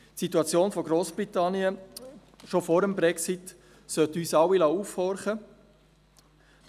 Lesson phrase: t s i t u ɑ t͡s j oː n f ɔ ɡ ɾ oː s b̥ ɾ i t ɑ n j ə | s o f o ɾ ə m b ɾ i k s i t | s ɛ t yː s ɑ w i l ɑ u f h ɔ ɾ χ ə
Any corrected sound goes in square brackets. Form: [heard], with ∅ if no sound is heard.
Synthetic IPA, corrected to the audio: t s i t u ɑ t͡s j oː n f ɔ ɡ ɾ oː s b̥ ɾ i t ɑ n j ə | [ʃ] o f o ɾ ə m b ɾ [ɛ] k s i t | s [œ] t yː s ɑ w i l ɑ u f h ɔ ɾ χ ə